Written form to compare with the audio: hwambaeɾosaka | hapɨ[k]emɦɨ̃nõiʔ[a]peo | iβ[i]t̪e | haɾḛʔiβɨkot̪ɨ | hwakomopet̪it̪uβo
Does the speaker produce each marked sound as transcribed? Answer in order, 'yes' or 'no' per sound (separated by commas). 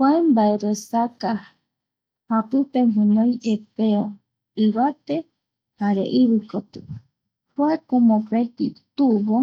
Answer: no, no, no